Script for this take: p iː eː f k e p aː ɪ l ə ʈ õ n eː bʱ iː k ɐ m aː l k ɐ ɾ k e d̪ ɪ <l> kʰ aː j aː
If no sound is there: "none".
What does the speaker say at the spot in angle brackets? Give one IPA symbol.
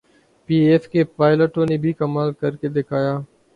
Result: none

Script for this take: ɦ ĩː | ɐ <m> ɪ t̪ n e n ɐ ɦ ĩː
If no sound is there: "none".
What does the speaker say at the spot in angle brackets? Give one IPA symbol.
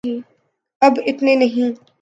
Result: b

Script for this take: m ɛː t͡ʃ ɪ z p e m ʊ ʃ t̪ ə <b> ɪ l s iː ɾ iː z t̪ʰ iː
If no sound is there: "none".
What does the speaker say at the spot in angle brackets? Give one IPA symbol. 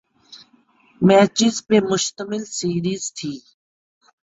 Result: m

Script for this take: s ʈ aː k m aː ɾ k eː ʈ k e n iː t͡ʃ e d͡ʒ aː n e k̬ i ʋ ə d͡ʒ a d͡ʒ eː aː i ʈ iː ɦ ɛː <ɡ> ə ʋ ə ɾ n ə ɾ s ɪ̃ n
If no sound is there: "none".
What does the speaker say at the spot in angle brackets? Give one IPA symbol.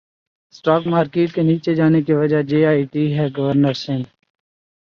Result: ɡ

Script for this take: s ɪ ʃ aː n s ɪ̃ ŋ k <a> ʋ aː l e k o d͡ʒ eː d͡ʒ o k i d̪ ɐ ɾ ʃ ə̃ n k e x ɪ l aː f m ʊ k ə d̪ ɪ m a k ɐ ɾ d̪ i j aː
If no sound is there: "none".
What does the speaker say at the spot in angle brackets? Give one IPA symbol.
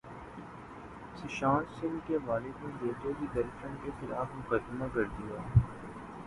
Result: e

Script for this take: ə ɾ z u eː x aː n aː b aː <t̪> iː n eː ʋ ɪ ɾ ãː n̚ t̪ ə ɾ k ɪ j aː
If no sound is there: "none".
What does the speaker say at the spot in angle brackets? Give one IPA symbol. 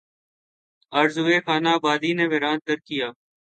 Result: d̪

